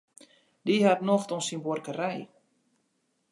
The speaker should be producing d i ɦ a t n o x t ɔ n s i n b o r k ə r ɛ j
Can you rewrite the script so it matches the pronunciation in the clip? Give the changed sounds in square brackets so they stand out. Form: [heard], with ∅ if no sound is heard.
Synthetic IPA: d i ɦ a t n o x t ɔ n s i n b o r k ə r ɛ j